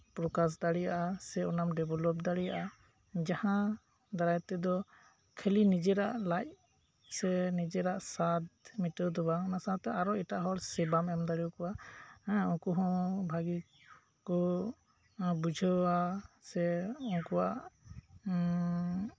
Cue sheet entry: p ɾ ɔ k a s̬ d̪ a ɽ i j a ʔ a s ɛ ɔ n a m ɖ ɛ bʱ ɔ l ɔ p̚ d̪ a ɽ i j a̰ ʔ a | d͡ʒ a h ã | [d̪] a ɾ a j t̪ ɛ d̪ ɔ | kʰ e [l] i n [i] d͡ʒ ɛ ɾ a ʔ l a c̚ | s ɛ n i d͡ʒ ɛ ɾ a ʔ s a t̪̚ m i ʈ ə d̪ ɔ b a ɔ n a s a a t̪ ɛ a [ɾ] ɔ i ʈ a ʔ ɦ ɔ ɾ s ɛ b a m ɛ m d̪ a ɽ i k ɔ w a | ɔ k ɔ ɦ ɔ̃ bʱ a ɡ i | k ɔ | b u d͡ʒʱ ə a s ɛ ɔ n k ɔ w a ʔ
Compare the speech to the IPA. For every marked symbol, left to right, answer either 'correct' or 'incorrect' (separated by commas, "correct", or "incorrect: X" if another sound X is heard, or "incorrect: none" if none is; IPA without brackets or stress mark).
correct, correct, correct, correct